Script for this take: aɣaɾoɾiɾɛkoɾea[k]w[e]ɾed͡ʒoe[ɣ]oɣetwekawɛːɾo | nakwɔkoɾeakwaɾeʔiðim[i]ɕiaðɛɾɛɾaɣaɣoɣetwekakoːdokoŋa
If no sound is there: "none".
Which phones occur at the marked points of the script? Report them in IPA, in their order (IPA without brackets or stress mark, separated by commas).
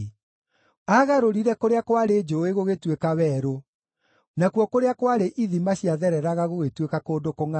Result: k, a, ɣ, a